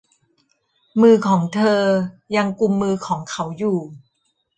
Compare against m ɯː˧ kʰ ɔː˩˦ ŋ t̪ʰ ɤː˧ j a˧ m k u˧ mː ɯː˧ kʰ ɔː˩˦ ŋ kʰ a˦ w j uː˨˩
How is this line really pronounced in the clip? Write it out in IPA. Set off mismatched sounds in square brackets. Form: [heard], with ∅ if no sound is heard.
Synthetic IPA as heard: m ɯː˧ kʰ ɔː˩˦ ŋ t̪ʰ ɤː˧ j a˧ [ŋ] k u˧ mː ɯː˧ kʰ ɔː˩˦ ŋ kʰ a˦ w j uː˨˩

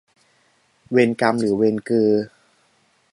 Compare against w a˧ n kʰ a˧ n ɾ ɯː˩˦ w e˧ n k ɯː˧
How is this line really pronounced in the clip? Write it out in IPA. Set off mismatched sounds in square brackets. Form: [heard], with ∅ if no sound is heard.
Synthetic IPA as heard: w [e˧] n [k] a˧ [m] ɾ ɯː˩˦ w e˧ n k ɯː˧

